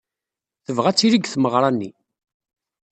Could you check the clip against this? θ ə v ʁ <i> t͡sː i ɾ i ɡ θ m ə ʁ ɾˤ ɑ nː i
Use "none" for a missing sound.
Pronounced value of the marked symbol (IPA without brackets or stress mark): æ